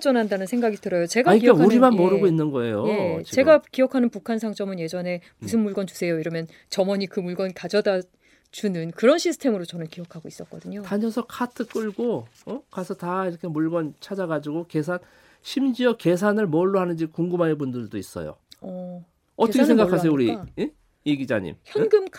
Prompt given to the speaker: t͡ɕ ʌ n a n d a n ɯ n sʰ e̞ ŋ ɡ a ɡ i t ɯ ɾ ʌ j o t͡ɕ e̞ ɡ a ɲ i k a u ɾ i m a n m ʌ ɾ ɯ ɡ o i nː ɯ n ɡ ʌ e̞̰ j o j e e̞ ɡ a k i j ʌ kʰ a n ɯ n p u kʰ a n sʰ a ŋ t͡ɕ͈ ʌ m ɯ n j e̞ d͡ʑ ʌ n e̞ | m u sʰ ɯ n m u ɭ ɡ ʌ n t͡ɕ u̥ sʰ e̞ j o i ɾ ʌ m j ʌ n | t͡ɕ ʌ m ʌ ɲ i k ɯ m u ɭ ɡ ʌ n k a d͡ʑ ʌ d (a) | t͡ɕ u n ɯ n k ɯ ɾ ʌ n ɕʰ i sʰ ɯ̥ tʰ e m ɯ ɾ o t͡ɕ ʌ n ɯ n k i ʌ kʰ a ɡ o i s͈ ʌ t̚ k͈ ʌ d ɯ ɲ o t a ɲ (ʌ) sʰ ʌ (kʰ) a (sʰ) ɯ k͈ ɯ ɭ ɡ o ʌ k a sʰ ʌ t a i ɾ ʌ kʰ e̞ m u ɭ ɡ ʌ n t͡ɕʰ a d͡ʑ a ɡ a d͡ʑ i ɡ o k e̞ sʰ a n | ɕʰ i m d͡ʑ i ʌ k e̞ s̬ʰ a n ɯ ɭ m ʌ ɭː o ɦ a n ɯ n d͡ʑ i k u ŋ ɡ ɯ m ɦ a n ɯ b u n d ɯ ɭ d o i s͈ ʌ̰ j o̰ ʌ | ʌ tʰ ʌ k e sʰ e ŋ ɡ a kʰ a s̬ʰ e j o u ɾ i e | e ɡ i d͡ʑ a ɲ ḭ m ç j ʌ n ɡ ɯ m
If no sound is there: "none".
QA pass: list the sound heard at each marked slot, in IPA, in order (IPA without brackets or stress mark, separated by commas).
a, ʌ, kʰ, tʰ